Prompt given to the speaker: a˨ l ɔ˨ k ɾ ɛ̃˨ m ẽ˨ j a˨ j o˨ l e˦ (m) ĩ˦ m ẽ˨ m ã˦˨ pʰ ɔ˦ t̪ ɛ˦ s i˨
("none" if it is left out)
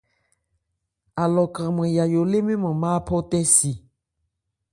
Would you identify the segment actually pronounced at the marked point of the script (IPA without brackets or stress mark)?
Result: m